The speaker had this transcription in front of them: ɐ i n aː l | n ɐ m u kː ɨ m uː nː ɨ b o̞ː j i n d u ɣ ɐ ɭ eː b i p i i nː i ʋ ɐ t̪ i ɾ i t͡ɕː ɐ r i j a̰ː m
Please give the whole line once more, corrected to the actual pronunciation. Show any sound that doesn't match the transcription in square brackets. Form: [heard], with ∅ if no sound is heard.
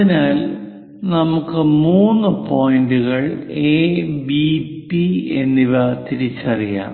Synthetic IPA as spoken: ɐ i n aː l | n ɐ m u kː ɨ m uː nː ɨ [p] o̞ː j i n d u ɣ ɐ ɭ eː b i p i [e] nː i ʋ ɐ t̪ i ɾ i t͡ɕː ɐ r i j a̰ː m